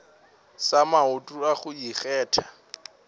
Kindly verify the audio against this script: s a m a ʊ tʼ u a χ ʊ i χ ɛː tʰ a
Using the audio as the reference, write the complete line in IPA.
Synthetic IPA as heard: s a m a ʊ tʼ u a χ ʊ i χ ɛː tʰ a